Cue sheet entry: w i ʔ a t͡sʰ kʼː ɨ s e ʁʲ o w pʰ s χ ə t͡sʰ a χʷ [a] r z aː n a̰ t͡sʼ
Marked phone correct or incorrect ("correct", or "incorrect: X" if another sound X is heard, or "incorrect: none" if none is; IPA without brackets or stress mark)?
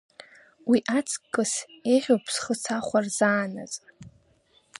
correct